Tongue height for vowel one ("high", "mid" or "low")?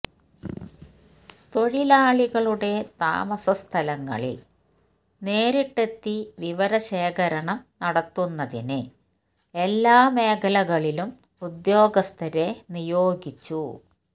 mid